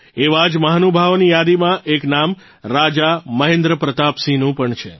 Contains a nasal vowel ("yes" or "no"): yes